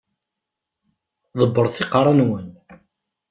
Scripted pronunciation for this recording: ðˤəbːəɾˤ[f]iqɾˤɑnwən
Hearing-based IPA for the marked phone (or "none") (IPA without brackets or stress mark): θ